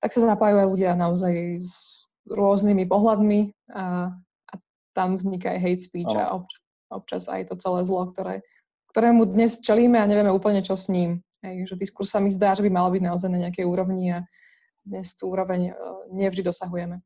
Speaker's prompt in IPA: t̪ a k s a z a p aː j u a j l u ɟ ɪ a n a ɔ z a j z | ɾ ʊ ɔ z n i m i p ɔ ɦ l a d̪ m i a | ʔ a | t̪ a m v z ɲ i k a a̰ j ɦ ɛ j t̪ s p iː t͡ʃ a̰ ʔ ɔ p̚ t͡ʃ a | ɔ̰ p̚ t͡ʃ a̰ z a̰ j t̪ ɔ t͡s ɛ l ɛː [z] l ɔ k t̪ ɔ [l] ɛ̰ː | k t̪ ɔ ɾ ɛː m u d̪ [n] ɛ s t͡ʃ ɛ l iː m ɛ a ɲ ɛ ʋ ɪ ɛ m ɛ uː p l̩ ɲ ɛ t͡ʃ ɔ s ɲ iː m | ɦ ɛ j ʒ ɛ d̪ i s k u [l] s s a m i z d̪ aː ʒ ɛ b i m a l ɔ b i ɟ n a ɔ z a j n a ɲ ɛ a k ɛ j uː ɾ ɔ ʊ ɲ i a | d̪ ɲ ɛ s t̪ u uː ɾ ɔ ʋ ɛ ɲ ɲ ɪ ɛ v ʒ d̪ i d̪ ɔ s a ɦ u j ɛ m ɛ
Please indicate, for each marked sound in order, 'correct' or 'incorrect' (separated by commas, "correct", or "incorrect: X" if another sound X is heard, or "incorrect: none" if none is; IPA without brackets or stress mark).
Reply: correct, incorrect: ɾ, incorrect: ɲ, incorrect: ɾ